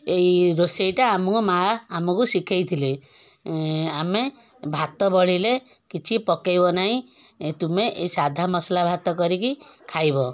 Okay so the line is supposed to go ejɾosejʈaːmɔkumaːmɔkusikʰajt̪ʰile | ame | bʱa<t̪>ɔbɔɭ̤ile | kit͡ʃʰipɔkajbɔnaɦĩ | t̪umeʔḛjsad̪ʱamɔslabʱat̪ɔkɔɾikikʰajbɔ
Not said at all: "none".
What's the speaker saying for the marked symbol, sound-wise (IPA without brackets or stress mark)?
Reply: t̪